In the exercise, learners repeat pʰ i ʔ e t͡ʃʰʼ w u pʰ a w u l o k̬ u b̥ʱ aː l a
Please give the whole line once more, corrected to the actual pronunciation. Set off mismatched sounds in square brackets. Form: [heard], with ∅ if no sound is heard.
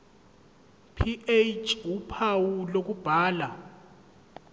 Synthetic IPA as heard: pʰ i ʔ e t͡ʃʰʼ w u pʰ a w u l o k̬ u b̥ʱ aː l a